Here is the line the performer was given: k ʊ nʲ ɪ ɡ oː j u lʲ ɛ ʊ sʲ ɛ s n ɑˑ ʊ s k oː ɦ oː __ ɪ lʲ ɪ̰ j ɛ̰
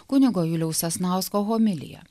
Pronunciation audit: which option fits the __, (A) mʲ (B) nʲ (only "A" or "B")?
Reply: A